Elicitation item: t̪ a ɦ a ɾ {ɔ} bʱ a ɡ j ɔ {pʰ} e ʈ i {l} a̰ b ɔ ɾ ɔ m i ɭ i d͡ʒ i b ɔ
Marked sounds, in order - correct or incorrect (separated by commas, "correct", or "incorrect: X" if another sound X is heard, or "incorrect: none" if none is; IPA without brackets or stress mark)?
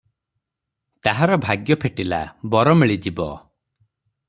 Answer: correct, correct, correct